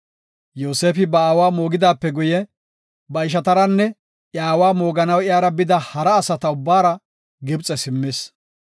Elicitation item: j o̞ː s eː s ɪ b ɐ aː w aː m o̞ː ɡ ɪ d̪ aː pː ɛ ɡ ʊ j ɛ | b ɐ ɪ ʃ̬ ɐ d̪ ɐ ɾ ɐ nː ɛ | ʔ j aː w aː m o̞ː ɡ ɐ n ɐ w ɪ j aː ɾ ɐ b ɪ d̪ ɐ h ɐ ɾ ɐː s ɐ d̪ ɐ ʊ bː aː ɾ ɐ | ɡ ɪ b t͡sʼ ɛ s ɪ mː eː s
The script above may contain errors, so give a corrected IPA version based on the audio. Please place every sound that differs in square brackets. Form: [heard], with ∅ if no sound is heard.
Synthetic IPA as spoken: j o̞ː s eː [f] ɪ b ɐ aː w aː m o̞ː ɡ ɪ d̪ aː pː ɛ ɡ ʊ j ɛ | b ɐ ɪ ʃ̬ ɐ [t̪] ɐ ɾ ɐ nː ɛ | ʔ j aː w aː m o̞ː ɡ ɐ n ɐ w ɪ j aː ɾ ɐ b ɪ d̪ ɐ h ɐ ɾ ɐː s ɐ [t̪] ɐ ʊ bː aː ɾ ɐ | ɡ ɪ b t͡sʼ ɛ s ɪ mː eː s

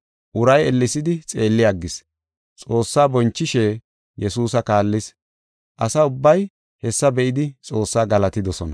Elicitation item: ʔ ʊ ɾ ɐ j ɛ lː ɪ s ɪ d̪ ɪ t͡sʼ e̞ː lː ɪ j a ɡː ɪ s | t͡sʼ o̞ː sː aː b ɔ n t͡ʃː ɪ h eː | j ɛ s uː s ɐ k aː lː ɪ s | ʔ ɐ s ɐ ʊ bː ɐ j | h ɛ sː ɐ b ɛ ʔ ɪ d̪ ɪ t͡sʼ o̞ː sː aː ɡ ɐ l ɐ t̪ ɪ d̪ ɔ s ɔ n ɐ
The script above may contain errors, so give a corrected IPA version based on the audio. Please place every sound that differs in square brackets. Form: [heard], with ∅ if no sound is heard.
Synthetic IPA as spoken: ʔ ʊ ɾ ɐ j ɛ lː ɪ s ɪ d̪ ɪ t͡sʼ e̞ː lː ɪ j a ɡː ɪ s | t͡sʼ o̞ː sː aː b ɔ n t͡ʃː ɪ [ʃ] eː | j ɛ s uː s ɐ k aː lː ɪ s | ʔ ɐ s ɐ ʊ bː ɐ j | h ɛ sː ɐ b ɛ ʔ ɪ d̪ ɪ t͡sʼ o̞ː sː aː ɡ ɐ l ɐ t̪ ɪ d̪ ɔ s ɔ n ɐ

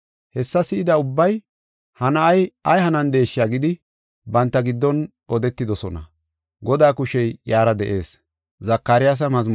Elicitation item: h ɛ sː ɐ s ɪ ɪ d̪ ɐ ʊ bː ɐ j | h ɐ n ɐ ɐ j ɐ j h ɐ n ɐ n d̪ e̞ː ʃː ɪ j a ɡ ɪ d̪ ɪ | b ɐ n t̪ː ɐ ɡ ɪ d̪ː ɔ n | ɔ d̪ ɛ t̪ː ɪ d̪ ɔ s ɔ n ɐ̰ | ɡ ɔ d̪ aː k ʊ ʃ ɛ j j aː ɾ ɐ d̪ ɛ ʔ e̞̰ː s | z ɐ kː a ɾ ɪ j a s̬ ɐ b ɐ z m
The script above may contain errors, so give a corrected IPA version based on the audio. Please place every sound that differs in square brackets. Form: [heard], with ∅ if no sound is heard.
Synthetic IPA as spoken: h ɛ sː ɐ s ɪ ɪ d̪ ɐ ʊ bː ɐ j | h ɐ n ɐ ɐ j ɐ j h ɐ n ɐ n d̪ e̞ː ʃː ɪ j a ɡ ɪ d̪ ɪ | b ɐ n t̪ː ɐ ɡ ɪ d̪ː ɔ n | ɔ d̪ ɛ t̪ː ɪ d̪ ɔ s ɔ n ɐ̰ | ɡ ɔ d̪ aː k ʊ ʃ ɛ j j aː ɾ ɐ d̪ ɛ ʔ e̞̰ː s | z ɐ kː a ɾ ɪ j a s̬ ɐ [m] ɐ z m

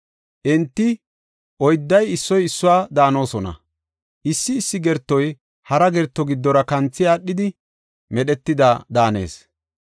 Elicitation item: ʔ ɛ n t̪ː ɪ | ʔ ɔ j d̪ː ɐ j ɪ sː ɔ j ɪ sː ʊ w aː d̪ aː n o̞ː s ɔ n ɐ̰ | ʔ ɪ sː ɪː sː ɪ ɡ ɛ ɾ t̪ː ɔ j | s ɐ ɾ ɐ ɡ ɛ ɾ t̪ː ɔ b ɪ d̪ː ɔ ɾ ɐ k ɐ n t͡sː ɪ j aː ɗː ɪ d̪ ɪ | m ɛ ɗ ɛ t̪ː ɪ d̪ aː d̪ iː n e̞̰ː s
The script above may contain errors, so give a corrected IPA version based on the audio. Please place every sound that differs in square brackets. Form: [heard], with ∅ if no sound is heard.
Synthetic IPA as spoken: ʔ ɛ n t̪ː ɪ | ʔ ɔ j d̪ː ɐ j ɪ sː ɔ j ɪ sː ʊ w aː d̪ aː n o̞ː s ɔ n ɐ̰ | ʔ ɪ sː ɪː sː ɪ ɡ ɛ ɾ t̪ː ɔ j | [h] ɐ ɾ ɐ ɡ ɛ ɾ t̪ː ɔ [ɡ] ɪ d̪ː ɔ ɾ ɐ k ɐ n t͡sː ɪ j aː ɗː ɪ d̪ ɪ | m ɛ ɗ ɛ t̪ː ɪ d̪ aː d̪ [aː] n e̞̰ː s

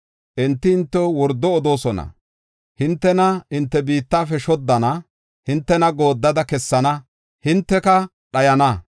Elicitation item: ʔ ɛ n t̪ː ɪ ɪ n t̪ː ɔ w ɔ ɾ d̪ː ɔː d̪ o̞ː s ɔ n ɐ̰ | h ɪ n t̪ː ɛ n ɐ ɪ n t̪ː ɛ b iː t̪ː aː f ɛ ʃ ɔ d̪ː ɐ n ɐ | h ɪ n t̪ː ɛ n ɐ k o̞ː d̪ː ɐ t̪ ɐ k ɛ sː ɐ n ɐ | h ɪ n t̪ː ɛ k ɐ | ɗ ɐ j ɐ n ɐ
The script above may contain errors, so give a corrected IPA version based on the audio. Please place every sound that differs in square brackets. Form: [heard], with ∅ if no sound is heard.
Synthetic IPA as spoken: ʔ ɛ n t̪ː ɪ ɪ n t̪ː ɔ w ɔ ɾ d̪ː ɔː d̪ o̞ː s ɔ n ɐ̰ | h ɪ n t̪ː ɛ n ɐ ɪ n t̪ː ɛ b iː t̪ː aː f ɛ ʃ ɔ d̪ː ɐ n ɐ | h ɪ n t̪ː ɛ n ɐ [ɡ] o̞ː d̪ː ɐ [d̪] ɐ k ɛ sː ɐ n ɐ | h ɪ n t̪ː ɛ k ɐ | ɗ ɐ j ɐ n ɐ

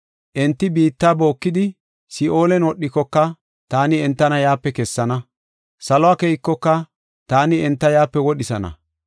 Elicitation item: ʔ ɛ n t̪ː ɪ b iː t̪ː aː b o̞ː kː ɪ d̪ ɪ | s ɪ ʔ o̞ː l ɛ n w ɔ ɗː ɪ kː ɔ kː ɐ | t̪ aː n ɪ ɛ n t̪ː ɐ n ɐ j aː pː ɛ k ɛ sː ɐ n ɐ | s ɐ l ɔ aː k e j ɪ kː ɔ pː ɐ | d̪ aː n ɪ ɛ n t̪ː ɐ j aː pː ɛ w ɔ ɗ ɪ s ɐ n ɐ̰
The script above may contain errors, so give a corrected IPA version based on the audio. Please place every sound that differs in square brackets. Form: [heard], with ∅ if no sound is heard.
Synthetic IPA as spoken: ʔ ɛ n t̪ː ɪ b iː t̪ː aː b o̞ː kː ɪ d̪ ɪ | s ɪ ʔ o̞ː l ɛ n w ɔ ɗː ɪ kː ɔ kː ɐ | t̪ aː n ɪ ɛ n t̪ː ɐ n ɐ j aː pː ɛ k ɛ sː ɐ n ɐ | s ɐ l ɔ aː k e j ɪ kː ɔ [kː] ɐ | [t̪] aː n ɪ ɛ n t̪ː ɐ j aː pː ɛ w ɔ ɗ ɪ s ɐ n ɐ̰

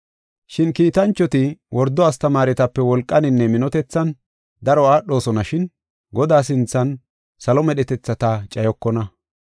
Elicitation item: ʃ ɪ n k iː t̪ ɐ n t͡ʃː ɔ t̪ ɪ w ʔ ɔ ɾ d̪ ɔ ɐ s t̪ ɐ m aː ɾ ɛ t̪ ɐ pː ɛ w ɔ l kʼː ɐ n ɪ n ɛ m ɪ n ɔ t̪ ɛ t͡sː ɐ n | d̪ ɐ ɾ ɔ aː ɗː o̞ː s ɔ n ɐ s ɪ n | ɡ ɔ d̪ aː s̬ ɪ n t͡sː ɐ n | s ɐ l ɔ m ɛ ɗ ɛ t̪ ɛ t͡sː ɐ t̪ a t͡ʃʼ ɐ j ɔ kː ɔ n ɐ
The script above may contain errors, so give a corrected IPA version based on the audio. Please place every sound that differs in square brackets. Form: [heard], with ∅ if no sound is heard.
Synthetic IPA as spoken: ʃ ɪ n k iː t̪ ɐ n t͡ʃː ɔ t̪ ɪ w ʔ ɔ ɾ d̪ ɔ ɐ s t̪ ɐ m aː ɾ ɛ t̪ ɐ pː ɛ w ɔ l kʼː ɐ n ɪ [nː] ɛ m ɪ n ɔ t̪ ɛ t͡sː ɐ n | d̪ ɐ ɾ ɔ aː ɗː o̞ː s ɔ n ɐ [ʃ] ɪ n | ɡ ɔ d̪ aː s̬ ɪ n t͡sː ɐ n | s ɐ l ɔ m ɛ ɗ ɛ t̪ ɛ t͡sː ɐ t̪ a t͡ʃʼ ɐ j ɔ kː ɔ n ɐ

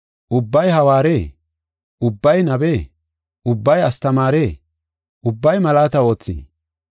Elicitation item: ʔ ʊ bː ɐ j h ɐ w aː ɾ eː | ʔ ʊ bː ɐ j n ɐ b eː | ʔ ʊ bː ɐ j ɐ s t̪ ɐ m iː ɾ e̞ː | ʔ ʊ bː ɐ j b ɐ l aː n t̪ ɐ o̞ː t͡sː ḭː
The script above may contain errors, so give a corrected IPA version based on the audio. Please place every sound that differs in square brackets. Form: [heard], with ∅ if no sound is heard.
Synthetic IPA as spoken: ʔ ʊ bː ɐ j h ɐ w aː ɾ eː | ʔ ʊ bː ɐ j n ɐ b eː | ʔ ʊ bː ɐ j ɐ s t̪ ɐ m [aː] ɾ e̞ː | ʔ ʊ bː ɐ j [m] ɐ l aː [∅] t̪ ɐ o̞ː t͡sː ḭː

